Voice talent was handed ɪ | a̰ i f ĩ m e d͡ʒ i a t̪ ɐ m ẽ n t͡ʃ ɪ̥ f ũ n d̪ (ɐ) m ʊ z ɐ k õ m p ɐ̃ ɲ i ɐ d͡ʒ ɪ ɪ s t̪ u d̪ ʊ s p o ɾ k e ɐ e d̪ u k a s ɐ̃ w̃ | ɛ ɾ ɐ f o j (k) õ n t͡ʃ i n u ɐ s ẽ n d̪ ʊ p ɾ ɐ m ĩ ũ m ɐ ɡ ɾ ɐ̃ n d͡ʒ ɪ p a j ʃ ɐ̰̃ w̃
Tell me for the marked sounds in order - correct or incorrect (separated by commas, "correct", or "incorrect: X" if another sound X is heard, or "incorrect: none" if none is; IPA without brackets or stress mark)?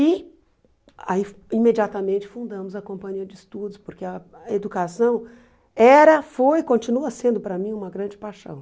incorrect: ɐ̃, correct